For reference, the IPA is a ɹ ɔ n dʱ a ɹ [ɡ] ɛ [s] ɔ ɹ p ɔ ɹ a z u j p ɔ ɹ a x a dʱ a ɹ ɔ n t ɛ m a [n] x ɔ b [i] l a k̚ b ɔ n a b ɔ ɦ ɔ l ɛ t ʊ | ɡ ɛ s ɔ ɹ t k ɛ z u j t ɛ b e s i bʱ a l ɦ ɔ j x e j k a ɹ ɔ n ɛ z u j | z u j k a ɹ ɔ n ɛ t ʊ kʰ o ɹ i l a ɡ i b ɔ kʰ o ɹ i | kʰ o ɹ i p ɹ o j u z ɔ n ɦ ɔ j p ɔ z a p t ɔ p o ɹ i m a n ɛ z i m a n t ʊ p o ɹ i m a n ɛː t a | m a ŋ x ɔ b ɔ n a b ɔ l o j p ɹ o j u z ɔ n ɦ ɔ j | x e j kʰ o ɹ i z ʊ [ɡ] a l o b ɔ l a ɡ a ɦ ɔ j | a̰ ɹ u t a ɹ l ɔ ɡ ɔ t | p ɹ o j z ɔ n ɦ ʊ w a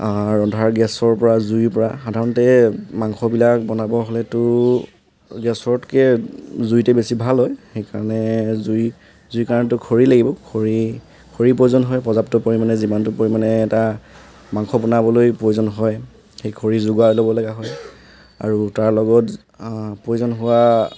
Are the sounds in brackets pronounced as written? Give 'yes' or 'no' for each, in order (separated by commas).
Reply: yes, yes, no, yes, yes